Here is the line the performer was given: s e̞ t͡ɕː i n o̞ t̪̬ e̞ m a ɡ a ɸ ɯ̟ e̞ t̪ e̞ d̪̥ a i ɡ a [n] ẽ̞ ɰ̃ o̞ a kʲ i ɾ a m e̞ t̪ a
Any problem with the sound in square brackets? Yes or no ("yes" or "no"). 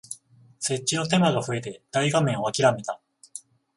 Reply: yes